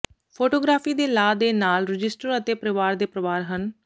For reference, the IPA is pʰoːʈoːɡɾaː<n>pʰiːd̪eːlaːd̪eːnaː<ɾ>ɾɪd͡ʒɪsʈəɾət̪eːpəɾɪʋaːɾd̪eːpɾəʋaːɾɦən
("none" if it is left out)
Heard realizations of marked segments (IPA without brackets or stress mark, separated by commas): none, l